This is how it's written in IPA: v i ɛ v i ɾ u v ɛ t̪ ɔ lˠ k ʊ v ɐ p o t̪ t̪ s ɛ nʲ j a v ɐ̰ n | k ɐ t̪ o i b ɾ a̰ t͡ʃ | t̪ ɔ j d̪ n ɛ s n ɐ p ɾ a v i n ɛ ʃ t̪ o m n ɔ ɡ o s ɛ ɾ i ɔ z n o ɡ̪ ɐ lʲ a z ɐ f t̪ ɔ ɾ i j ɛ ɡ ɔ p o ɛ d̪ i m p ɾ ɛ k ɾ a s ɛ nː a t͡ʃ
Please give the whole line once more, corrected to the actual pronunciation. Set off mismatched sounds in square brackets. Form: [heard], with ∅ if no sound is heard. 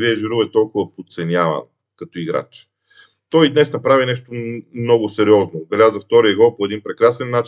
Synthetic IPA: v i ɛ [ʒ] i ɾ u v ɛ t̪ ɔ lˠ k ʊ v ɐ p o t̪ t̪ s ɛ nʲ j a v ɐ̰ n | k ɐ t̪ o i [ɡ] ɾ a̰ t͡ʃ | t̪ ɔ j d̪ n ɛ s n ɐ p ɾ a v i n ɛ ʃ t̪ o m n ɔ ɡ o s ɛ ɾ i ɔ z n o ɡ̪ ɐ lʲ a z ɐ f t̪ ɔ ɾ i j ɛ ɡ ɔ p o ɛ d̪ i [n] p ɾ ɛ k ɾ a s ɛ nː a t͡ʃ